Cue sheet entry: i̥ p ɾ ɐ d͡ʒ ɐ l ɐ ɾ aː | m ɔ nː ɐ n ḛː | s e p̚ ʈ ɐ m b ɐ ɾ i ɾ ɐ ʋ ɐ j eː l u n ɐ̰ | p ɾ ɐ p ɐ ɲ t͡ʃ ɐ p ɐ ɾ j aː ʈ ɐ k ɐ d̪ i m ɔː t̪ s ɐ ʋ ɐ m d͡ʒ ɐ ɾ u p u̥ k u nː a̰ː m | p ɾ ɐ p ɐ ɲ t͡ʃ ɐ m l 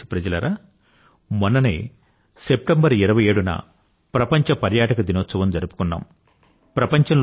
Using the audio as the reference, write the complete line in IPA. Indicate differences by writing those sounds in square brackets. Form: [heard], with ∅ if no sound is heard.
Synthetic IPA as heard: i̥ p ɾ ɐ d͡ʒ ɐ l ɐ ɾ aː | m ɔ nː ɐ n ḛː | s e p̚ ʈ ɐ m b ɐ ɾ i ɾ ɐ ʋ ɐ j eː [ɽ] u n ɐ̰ | p ɾ ɐ p ɐ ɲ t͡ʃ ɐ p ɐ ɾ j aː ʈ ɐ k ɐ d̪ i [n] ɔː t̪ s ɐ ʋ ɐ m d͡ʒ ɐ ɾ u p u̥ k u nː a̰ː m | p ɾ ɐ p ɐ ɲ t͡ʃ ɐ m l